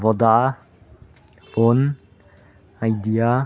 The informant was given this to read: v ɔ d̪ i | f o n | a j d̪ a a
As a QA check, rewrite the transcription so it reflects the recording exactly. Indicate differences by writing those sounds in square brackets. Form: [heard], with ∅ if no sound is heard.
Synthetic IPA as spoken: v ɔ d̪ [a] | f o n | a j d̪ [i] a